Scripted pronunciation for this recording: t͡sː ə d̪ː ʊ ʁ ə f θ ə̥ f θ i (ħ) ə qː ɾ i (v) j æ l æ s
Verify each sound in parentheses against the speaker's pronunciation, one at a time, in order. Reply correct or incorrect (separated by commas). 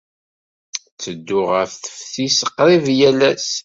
incorrect, correct